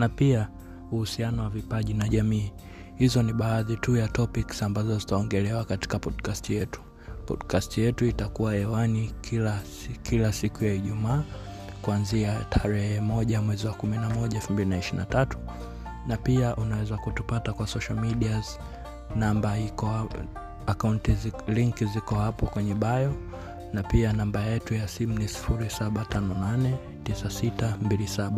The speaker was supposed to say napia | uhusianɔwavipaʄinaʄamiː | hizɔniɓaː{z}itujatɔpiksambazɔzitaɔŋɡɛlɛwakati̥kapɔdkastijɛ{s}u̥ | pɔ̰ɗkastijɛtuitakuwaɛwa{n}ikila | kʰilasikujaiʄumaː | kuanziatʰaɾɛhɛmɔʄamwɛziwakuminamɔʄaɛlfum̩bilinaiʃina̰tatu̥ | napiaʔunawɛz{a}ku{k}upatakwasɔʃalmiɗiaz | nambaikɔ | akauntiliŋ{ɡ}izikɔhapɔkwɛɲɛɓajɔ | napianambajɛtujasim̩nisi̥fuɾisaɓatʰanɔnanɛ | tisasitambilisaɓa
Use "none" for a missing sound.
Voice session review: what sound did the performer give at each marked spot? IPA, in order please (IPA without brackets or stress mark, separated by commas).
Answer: ð, t, n, a, t, k